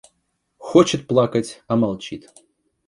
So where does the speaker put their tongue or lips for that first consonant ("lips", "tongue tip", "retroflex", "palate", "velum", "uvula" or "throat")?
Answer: velum